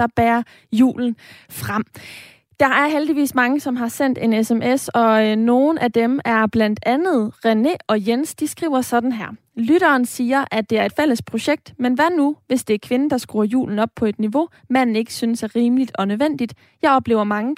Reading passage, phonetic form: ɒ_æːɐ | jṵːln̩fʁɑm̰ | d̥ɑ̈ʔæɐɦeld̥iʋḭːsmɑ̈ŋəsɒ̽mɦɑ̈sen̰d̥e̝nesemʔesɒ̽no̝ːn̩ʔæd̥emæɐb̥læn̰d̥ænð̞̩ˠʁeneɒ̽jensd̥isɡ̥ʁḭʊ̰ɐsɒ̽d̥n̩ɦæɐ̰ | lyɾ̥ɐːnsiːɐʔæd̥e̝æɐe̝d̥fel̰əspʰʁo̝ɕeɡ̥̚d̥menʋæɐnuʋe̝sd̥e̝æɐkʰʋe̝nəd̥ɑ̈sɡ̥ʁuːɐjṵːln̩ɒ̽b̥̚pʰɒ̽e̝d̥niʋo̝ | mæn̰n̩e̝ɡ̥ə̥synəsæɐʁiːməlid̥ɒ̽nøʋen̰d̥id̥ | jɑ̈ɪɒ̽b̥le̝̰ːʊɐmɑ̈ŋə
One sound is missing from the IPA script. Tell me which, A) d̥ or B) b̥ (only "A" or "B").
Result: B